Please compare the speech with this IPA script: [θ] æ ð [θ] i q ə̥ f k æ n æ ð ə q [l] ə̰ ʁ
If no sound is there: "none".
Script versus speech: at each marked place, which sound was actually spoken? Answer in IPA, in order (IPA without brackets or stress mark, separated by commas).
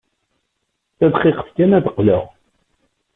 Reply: θ, χ, l